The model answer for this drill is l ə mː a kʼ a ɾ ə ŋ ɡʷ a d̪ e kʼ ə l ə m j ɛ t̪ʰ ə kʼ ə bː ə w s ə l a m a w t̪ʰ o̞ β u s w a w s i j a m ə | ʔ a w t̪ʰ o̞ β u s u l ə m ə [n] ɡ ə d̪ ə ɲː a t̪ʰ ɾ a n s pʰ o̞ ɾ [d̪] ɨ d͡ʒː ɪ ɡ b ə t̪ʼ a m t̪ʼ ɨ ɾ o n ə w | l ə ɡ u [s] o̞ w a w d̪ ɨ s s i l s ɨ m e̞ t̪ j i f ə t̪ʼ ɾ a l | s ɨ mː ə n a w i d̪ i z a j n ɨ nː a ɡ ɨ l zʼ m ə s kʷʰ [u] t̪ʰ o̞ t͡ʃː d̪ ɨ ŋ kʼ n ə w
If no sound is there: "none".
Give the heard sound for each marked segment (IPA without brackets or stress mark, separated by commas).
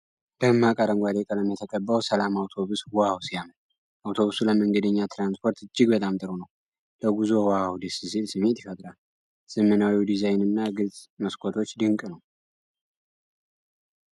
ŋ, t̪, z, o